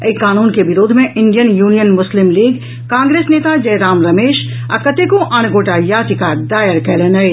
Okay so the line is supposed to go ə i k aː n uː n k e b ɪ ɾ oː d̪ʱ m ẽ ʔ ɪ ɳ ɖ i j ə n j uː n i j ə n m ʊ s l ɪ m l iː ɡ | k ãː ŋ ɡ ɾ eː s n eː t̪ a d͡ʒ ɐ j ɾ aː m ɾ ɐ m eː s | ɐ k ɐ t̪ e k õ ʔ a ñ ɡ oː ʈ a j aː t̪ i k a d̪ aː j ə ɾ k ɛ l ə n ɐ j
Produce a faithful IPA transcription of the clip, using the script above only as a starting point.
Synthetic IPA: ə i k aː n uː n k e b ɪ ɾ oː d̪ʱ m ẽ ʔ ɪ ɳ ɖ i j ə n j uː n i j ə n m ʊ s l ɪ m l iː ɡ | k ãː ŋ ɡ ɾ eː s n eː t̪ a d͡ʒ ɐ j ɾ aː m ɾ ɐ m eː ʃ | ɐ k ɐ t̪ e k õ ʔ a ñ ɡ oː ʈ a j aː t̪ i k a d̪ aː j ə ɾ k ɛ l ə n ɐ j